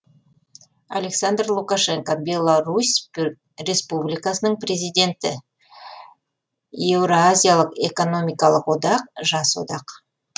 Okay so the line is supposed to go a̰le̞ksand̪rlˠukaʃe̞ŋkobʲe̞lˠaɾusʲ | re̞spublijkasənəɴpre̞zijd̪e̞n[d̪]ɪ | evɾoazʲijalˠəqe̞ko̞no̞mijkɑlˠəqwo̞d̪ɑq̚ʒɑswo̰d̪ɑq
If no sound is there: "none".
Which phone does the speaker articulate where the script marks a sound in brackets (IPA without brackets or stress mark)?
t̪